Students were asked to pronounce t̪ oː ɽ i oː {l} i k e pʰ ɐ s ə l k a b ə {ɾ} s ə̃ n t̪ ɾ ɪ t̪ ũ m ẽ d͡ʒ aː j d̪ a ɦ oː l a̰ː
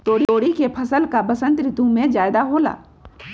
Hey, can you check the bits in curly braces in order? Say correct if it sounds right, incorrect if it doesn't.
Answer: incorrect, incorrect

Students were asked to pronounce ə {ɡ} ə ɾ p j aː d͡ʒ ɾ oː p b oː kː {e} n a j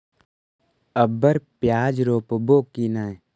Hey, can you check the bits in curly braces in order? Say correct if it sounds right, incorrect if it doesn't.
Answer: incorrect, incorrect

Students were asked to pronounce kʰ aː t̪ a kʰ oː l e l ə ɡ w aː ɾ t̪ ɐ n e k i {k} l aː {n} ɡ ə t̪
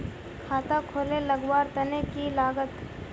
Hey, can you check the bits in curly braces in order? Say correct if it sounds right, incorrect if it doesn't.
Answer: incorrect, incorrect

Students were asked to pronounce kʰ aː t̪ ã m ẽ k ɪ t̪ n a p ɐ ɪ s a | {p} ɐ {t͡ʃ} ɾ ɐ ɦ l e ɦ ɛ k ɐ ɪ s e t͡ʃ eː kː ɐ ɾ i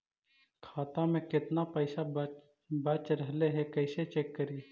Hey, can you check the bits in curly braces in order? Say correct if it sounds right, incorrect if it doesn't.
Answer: incorrect, correct

